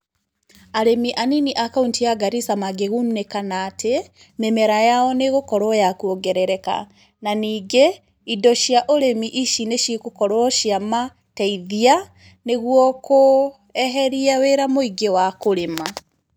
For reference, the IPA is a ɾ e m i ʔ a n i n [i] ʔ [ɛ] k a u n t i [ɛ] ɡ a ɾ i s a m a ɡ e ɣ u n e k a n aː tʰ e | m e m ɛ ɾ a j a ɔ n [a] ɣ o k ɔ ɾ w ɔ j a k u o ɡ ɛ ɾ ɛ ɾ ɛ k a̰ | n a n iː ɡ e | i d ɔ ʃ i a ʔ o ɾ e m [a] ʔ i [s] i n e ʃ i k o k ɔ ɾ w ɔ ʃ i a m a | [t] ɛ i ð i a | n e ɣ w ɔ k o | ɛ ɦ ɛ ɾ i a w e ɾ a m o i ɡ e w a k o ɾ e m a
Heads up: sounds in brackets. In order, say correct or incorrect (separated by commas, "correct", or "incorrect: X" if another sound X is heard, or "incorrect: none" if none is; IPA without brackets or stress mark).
correct, incorrect: a, incorrect: a, incorrect: e, incorrect: i, incorrect: ʃ, correct